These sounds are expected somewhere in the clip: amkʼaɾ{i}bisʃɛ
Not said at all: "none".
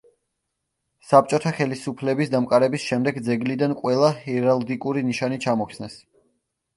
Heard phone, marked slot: ɛ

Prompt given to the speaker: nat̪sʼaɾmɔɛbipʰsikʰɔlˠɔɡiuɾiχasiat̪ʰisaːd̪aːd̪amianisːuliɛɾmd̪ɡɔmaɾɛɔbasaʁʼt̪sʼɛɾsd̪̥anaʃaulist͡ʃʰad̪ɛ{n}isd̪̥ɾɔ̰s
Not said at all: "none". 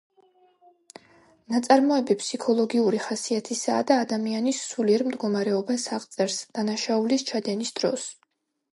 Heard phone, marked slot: n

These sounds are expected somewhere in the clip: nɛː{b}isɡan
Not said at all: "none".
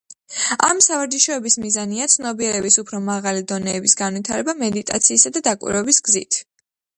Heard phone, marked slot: b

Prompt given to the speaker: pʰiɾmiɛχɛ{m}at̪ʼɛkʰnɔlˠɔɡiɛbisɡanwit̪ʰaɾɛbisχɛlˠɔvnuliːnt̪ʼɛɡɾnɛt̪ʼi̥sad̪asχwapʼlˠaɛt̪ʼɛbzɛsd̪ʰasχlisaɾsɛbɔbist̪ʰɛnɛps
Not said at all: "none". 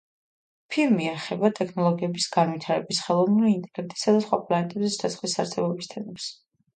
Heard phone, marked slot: b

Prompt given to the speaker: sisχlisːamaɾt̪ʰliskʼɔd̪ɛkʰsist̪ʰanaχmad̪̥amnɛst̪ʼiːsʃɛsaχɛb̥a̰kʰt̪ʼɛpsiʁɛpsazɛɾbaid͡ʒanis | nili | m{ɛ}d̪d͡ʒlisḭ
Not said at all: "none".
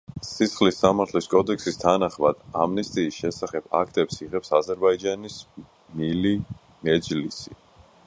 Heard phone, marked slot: ɛ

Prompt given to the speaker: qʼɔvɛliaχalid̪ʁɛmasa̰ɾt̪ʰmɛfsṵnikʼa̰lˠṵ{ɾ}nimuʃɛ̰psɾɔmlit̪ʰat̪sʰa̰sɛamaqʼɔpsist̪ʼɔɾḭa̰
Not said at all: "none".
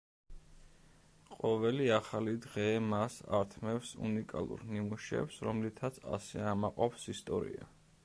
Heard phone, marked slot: ɾ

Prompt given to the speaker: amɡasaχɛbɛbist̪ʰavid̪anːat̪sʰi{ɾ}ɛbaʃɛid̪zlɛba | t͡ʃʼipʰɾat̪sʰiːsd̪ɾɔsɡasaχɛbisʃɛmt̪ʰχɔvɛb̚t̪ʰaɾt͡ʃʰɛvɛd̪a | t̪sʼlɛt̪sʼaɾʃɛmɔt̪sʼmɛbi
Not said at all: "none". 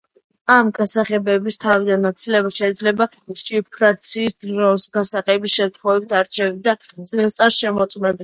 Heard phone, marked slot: l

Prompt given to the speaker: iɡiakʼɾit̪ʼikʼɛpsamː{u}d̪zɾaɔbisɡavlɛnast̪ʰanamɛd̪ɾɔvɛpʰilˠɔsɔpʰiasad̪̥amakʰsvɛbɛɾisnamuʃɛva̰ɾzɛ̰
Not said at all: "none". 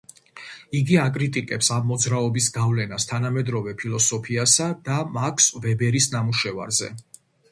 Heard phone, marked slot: ɔ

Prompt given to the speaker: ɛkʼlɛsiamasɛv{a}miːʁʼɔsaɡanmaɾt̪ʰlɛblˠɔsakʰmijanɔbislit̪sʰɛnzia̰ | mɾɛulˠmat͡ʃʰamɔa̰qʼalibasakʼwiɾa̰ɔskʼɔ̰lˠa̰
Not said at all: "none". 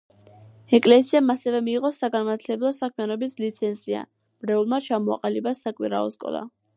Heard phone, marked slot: ɛ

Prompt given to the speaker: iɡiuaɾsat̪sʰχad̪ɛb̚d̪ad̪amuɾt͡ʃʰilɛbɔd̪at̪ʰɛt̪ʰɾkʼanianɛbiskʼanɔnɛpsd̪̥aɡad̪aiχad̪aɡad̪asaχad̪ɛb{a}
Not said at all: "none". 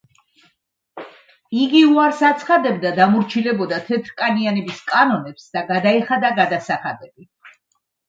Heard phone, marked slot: i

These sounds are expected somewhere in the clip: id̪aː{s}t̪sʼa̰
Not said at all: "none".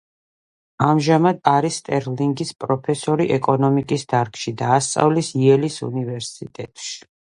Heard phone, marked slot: s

